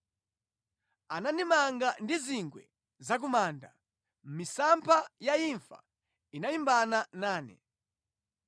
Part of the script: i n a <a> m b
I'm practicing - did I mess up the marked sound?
yes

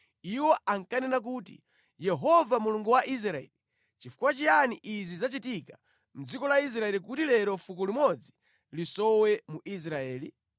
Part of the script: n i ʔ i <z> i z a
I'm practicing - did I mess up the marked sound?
no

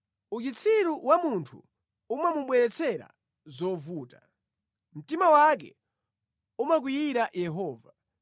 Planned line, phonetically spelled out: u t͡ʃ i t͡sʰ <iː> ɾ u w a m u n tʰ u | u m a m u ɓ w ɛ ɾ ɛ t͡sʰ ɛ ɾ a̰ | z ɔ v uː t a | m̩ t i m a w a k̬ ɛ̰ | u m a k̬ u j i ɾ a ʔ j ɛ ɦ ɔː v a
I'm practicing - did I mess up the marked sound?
yes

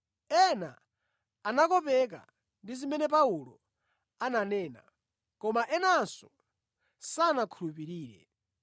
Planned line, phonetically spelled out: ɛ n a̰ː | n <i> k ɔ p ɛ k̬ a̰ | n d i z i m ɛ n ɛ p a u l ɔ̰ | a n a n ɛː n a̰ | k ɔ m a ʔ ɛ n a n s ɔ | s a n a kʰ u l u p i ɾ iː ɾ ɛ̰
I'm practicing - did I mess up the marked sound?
yes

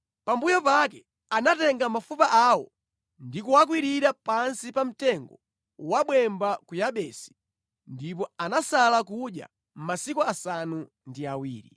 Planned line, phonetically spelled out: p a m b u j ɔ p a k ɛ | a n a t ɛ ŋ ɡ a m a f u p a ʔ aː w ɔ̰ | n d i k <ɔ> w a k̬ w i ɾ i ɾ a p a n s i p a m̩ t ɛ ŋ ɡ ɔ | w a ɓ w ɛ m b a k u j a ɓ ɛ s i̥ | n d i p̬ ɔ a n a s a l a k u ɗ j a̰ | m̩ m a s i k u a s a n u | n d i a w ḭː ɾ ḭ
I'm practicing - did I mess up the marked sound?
yes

